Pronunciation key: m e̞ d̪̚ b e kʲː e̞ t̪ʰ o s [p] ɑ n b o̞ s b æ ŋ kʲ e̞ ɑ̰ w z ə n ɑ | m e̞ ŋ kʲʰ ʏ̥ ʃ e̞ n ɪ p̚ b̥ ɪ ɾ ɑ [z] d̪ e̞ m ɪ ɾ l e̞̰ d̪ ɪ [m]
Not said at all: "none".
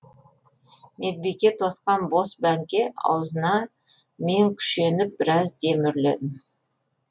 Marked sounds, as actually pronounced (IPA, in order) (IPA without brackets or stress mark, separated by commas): q, z, m